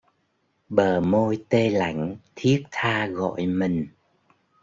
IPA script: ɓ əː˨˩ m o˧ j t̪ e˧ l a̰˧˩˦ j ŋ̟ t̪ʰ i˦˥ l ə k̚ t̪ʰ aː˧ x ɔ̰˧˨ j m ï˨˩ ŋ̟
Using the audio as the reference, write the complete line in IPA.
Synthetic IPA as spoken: ɓ əː˨˩ m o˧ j t̪ e˧ l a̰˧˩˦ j ŋ̟ t̪ʰ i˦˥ ə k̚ t̪ʰ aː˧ ɣ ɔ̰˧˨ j m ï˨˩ ŋ̟